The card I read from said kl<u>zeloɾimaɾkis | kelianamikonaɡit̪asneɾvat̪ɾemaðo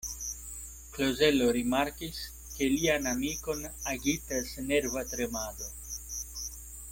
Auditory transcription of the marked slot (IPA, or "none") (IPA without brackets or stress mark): o